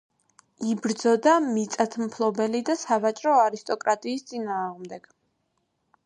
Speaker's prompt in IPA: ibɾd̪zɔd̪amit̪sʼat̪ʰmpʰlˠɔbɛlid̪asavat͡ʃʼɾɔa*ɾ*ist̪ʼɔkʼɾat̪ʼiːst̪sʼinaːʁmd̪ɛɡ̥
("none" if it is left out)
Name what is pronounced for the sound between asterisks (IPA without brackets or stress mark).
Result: ɾ